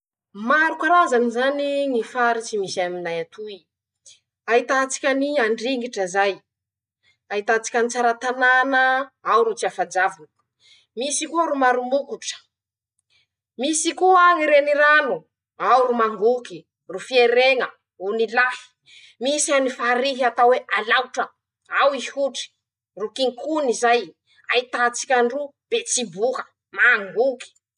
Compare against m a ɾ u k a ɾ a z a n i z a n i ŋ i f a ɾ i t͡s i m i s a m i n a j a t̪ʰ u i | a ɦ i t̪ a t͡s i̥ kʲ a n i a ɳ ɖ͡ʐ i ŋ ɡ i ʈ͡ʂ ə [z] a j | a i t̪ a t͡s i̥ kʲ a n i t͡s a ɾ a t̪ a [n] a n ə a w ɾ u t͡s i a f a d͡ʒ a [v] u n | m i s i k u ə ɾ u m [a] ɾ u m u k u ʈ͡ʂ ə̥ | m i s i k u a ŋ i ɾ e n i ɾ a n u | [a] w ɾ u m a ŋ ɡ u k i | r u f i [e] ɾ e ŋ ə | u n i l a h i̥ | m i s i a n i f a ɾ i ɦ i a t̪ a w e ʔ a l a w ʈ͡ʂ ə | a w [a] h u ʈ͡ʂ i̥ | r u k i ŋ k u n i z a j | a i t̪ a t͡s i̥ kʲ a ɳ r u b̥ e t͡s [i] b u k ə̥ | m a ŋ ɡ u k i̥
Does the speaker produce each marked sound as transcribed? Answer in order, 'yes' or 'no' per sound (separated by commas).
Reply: yes, yes, yes, yes, yes, yes, no, yes